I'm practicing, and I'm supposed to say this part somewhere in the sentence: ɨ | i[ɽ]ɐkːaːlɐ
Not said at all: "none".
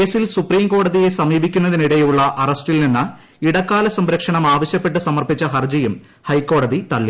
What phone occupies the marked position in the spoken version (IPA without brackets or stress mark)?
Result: ɽ